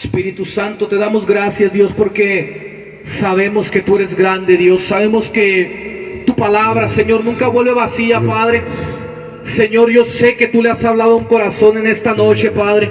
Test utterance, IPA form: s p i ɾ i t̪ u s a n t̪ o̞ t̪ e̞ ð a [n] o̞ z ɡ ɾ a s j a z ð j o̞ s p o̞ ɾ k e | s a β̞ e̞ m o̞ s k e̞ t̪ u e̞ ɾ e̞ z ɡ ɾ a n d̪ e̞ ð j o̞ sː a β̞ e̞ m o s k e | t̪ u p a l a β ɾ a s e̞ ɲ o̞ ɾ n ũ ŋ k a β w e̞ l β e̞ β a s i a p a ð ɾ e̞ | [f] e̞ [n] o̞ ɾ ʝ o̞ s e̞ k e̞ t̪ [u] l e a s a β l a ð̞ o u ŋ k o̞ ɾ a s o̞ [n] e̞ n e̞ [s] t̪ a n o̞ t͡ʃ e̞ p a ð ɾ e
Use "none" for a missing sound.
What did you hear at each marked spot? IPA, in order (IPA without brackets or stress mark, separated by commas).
m, s, ɲ, u, n, s